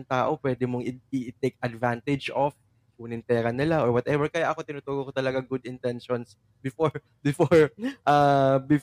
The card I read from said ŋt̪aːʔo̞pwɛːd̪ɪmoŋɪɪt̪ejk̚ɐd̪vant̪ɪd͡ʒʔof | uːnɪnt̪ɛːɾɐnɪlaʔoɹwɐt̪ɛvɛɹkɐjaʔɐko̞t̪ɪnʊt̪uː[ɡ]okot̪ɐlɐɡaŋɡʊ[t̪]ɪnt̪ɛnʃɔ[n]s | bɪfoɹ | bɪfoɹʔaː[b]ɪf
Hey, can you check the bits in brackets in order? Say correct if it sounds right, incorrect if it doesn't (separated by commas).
correct, incorrect, correct, correct